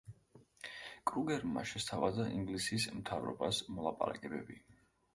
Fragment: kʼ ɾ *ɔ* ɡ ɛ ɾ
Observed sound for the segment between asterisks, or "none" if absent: u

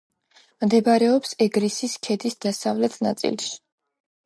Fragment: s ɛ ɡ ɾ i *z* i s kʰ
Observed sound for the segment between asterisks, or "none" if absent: s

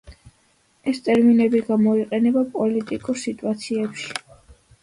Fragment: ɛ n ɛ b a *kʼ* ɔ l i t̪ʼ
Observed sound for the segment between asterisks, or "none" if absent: pʼ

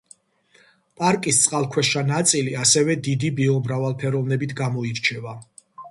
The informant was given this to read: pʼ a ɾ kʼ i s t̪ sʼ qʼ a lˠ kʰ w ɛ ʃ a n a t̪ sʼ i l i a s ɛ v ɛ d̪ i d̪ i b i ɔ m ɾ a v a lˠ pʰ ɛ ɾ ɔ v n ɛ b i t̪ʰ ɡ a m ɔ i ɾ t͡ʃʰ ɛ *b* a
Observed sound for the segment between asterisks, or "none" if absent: v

